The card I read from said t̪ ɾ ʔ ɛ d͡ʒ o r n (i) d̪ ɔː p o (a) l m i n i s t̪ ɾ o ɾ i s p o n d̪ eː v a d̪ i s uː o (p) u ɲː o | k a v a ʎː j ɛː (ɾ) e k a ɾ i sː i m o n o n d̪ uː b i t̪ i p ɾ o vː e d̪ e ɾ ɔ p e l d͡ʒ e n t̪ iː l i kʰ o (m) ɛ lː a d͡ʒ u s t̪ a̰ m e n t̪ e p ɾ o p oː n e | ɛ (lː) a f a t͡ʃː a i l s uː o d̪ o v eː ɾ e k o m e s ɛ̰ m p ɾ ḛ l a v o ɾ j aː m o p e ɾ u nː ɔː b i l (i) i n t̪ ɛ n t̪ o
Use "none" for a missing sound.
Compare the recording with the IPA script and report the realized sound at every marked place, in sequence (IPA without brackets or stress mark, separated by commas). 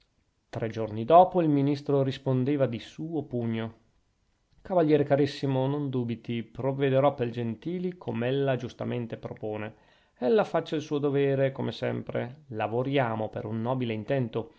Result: i, i, p, ɾ, m, lː, e